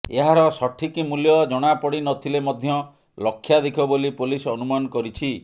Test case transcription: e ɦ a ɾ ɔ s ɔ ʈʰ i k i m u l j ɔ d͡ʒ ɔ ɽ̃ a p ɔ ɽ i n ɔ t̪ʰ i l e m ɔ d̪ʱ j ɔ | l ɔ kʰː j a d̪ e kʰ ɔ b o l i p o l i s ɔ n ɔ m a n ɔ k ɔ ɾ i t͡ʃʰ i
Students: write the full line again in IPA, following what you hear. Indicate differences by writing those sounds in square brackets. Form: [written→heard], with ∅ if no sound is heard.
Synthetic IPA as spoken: e ɦ a ɾ ɔ s ɔ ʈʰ i k i m u l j ɔ d͡ʒ ɔ ɽ̃ a p ɔ ɽ i n ɔ t̪ʰ i l e m ɔ d̪ʱ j ɔ | l ɔ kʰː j a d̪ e kʰ ɔ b o l i p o l i s ɔ n [ɔ→u] m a n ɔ k ɔ ɾ i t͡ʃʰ i